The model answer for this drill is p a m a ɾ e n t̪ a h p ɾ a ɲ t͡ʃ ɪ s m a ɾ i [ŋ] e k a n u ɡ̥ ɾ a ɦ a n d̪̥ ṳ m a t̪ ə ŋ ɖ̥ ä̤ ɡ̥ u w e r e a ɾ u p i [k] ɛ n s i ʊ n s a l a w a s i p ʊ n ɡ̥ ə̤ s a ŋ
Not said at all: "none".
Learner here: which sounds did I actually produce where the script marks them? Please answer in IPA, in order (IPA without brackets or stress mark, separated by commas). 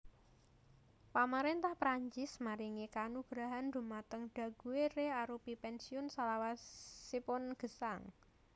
ŋ, p